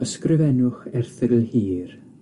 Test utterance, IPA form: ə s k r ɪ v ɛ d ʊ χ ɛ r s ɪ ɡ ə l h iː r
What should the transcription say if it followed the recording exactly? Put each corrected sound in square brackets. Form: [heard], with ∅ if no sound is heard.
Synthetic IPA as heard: ə s k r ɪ v ɛ [n] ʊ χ ɛ r [θ] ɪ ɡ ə l h iː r